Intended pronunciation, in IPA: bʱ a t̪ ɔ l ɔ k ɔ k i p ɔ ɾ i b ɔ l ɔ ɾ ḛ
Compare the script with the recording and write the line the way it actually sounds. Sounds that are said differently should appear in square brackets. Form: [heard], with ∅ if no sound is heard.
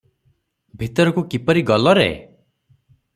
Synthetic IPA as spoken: bʱ [i] t̪ ɔ [ɾ] ɔ k [u] k i p ɔ ɾ i [ɡ] ɔ l ɔ ɾ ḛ